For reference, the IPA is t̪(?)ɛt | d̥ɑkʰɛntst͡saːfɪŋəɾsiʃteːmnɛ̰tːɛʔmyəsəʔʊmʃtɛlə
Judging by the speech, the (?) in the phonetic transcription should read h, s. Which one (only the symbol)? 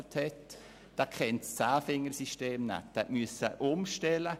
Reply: h